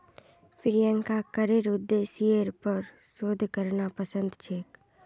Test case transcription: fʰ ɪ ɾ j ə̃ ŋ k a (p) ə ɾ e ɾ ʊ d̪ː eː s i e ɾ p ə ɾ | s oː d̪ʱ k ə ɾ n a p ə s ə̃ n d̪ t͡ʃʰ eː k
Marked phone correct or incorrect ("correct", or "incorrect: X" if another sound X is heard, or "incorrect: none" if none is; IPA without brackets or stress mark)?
incorrect: k